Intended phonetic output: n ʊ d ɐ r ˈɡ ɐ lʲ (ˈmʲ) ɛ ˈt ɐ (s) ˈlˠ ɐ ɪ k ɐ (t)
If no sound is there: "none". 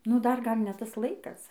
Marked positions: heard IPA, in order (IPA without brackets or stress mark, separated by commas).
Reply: nʲ, s, s